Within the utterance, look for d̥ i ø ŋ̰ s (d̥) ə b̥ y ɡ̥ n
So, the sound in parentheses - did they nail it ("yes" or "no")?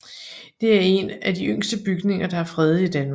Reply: yes